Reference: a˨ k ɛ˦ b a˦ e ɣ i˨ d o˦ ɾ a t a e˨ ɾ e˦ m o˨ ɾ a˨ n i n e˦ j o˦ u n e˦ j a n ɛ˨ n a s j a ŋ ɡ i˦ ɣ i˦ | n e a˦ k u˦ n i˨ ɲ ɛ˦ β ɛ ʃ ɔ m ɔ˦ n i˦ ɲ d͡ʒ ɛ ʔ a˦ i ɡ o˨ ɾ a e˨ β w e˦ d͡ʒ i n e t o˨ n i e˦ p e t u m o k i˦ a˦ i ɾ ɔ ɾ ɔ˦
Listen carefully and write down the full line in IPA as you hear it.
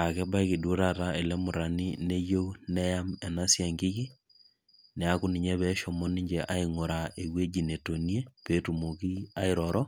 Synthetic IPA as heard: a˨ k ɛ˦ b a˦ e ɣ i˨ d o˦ ɾ a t a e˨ l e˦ m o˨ ɾ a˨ n i n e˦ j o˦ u n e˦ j a m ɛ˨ n a s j a ŋ ɡ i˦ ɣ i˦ | n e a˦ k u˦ n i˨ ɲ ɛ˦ β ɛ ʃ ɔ m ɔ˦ n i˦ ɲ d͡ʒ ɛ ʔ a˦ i ŋ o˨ ɾ a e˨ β w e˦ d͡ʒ i n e t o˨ n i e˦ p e t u m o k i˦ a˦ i ɾ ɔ ɾ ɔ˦